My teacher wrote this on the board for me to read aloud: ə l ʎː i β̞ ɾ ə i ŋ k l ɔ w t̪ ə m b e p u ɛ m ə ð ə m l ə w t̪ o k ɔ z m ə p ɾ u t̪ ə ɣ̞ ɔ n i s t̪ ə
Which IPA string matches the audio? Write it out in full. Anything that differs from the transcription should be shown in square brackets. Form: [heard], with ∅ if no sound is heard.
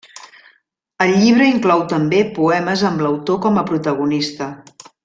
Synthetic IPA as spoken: ə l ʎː i β̞ ɾ ə i ŋ k l ɔ w t̪ ə m b e p u ɛ m ə [z] ə m l ə w t̪ o k ɔ [∅] m ə p ɾ u t̪ ə ɣ̞ [u] n i s t̪ ə